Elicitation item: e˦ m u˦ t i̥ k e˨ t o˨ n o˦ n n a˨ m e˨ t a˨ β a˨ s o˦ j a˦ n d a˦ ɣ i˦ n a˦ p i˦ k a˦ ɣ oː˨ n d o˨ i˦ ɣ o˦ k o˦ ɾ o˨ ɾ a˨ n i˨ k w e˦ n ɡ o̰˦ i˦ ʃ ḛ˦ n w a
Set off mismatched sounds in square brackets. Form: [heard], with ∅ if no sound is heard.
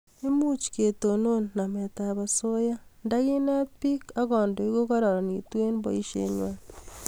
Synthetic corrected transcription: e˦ m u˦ [t͡ʃ] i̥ k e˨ t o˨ n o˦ n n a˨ m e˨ t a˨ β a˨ s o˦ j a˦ n d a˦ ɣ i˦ n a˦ p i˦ k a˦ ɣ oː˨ n d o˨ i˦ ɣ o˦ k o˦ ɾ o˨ ɾ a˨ n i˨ [t] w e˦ n [b] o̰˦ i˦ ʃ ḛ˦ [ɲ] w a